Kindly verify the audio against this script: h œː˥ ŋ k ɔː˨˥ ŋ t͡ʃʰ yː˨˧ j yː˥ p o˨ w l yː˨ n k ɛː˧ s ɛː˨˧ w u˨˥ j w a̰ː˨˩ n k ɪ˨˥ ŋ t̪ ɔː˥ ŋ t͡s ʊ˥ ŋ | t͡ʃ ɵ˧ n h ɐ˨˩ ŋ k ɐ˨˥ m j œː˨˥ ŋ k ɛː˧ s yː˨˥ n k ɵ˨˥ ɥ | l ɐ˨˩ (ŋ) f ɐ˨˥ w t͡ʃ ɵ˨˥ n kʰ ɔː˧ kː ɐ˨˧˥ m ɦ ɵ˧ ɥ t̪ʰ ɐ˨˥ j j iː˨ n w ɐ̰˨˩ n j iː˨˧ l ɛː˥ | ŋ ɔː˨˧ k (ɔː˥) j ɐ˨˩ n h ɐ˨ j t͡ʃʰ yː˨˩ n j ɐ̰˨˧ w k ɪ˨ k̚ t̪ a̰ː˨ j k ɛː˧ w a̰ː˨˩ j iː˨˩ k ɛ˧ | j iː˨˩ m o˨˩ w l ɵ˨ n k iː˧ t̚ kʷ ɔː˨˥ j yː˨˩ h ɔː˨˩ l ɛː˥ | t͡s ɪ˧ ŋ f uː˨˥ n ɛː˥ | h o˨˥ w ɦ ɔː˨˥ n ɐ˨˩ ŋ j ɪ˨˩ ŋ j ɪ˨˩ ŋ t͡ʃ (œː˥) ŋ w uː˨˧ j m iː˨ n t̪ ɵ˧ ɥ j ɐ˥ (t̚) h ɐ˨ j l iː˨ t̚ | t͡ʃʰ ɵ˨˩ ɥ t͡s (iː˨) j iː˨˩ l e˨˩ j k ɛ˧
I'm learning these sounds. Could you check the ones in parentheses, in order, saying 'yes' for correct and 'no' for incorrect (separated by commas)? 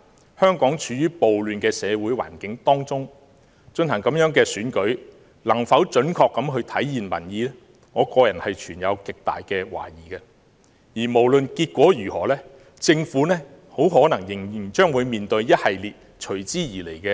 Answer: yes, no, yes, yes, no